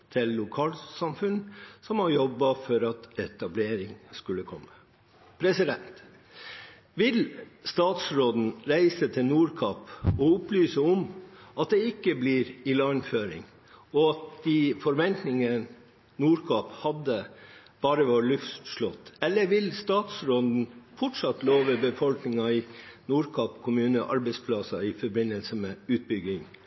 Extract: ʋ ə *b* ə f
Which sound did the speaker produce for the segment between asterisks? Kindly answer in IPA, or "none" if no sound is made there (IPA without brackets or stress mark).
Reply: b